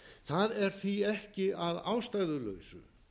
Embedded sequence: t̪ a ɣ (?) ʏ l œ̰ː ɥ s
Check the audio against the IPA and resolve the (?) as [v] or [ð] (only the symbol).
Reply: ð